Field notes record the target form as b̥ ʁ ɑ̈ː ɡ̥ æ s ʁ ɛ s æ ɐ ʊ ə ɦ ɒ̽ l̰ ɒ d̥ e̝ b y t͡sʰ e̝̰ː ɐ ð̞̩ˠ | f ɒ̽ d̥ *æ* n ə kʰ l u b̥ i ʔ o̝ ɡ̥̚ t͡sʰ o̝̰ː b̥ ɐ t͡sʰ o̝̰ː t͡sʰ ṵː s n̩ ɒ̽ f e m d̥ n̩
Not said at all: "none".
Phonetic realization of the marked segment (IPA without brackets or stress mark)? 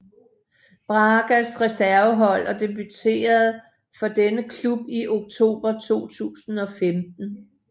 e